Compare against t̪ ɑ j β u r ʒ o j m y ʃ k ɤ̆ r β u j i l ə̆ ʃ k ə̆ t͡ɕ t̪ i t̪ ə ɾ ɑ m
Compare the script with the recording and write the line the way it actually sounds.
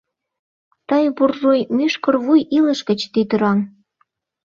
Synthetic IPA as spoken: t̪ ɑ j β u r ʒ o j m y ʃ k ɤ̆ r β u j i l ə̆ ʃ k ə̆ t͡ɕ t̪ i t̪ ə ɾ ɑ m